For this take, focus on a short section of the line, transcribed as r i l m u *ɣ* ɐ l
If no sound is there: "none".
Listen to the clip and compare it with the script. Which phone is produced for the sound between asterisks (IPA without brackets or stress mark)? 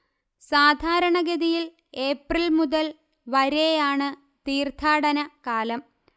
ð